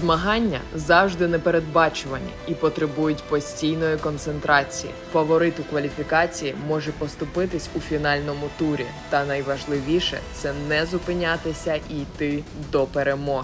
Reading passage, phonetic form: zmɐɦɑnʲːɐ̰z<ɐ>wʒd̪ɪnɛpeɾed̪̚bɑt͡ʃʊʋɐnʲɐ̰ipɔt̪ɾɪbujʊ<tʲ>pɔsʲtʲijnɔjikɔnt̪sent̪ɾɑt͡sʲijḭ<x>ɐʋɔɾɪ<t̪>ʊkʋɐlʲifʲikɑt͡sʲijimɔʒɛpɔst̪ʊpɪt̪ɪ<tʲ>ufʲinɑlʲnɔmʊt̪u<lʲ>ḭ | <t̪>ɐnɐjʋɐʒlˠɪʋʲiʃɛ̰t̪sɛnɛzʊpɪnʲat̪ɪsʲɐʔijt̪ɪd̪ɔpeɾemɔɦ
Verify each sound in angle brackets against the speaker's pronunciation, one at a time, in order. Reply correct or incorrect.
incorrect, correct, incorrect, correct, incorrect, incorrect, correct

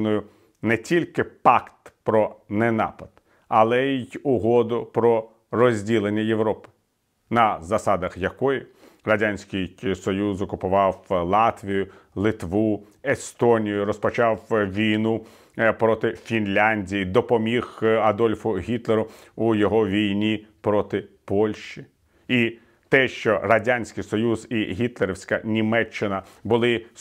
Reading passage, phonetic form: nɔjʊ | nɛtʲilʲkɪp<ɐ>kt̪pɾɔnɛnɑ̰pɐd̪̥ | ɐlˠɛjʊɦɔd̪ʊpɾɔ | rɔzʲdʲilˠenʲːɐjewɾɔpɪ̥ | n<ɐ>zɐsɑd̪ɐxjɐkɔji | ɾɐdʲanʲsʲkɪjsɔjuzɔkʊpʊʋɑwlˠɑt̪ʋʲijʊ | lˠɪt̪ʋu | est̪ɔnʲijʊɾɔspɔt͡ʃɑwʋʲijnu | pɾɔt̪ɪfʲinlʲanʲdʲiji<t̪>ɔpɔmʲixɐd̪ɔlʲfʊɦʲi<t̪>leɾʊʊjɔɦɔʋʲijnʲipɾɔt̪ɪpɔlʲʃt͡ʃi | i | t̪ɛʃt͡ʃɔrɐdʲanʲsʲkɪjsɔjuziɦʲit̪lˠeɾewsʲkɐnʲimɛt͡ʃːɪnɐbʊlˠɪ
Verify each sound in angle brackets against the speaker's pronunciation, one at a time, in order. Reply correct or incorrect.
incorrect, correct, incorrect, correct

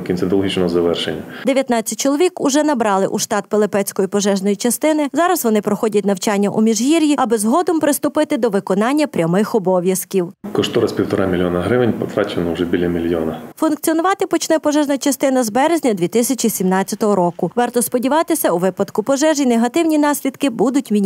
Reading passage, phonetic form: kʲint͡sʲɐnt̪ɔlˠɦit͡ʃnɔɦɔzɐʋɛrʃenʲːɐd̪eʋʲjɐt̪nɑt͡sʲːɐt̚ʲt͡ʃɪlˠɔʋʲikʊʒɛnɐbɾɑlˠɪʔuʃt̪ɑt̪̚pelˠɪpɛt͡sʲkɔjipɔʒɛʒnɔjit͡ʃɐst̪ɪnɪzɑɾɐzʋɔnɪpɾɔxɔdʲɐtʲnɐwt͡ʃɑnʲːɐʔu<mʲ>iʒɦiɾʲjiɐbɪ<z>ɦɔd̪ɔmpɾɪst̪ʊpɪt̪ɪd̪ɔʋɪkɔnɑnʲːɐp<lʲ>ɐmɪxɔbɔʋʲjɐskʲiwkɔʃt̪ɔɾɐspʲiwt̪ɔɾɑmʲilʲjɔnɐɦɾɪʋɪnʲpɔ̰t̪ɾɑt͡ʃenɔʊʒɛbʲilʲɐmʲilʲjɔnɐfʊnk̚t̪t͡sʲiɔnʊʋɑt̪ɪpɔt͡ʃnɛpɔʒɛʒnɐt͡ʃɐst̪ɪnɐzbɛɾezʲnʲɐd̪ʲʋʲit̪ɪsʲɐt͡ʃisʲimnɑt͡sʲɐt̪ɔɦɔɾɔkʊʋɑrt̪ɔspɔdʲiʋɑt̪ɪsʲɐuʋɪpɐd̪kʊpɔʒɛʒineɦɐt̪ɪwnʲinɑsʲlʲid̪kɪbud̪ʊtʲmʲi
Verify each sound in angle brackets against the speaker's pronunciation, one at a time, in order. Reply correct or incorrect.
correct, correct, incorrect

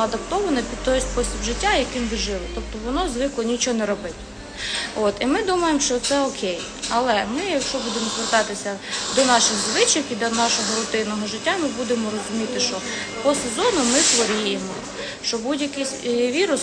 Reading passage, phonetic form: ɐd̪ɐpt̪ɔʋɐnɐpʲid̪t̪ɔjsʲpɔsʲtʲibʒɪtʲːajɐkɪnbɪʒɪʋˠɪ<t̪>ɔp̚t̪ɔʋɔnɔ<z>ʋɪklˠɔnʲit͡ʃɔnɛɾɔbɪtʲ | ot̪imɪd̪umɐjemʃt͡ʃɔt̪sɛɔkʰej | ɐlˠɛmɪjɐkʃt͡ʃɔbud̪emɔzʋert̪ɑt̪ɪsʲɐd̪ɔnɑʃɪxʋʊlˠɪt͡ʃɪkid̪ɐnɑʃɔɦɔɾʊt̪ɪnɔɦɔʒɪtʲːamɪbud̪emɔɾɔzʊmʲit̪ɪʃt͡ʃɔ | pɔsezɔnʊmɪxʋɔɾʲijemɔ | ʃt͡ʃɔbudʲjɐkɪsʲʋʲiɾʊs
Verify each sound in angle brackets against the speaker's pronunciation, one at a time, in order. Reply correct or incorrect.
correct, correct

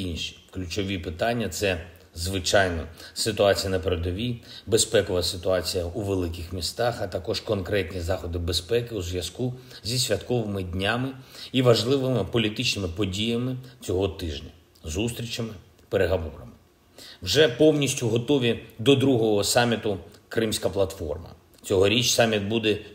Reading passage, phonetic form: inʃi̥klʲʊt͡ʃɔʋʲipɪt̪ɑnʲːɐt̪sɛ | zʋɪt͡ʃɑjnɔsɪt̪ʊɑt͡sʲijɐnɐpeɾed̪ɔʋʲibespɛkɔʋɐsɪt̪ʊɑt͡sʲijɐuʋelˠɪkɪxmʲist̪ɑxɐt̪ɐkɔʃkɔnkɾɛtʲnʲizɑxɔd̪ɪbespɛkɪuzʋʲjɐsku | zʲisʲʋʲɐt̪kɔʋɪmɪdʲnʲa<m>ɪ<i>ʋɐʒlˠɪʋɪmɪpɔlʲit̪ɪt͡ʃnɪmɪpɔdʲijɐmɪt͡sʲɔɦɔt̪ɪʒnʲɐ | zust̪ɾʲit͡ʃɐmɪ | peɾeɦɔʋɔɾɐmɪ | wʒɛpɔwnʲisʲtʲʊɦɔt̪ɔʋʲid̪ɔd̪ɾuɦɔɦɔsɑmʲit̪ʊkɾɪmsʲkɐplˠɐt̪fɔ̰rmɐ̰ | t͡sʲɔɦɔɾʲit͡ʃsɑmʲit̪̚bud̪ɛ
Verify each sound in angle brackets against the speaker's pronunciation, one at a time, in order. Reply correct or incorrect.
correct, correct

